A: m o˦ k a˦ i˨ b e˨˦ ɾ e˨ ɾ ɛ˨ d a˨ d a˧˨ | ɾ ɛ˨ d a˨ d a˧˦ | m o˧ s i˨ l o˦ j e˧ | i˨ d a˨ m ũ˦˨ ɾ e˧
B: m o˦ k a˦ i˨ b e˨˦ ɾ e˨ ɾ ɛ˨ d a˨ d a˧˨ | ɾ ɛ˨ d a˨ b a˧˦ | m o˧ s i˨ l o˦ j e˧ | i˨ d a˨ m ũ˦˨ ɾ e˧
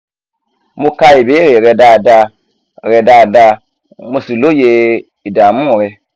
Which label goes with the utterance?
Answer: A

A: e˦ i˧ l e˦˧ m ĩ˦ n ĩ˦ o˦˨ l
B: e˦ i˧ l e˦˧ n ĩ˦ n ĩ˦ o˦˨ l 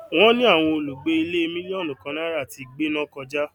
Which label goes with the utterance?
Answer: A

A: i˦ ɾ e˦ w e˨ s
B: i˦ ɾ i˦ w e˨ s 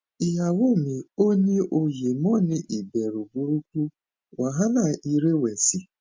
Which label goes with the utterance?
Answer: A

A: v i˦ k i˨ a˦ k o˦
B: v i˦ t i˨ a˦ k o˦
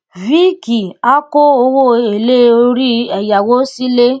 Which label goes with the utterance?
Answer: A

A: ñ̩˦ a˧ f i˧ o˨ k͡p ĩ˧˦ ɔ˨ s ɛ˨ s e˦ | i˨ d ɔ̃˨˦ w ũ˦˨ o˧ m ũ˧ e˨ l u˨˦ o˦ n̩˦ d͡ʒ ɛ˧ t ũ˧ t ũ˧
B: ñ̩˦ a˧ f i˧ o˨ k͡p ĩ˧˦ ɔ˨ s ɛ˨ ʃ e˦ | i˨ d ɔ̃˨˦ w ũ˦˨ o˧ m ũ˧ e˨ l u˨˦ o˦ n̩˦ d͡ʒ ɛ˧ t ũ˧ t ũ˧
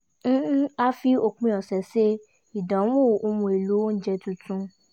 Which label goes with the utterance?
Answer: A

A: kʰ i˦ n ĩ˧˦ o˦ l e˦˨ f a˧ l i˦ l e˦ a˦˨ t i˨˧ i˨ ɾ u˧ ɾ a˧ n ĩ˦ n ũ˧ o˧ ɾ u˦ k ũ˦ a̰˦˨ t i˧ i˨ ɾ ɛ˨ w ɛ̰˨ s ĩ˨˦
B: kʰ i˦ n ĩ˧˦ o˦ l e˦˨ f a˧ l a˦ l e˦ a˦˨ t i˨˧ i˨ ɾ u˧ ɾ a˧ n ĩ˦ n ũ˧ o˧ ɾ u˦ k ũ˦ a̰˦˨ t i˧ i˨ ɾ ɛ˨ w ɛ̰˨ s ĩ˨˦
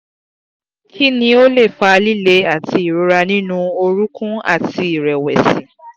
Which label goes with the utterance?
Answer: A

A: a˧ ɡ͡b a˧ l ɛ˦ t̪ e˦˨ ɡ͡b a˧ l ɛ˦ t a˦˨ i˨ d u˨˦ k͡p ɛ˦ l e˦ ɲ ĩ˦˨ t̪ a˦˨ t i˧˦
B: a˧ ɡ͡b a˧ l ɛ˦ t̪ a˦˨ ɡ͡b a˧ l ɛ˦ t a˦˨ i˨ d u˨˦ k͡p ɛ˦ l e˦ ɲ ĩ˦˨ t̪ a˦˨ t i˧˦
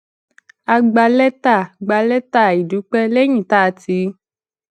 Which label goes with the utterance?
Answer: B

